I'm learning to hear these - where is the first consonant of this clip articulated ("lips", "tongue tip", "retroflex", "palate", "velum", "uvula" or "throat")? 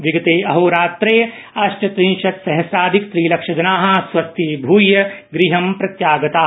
lips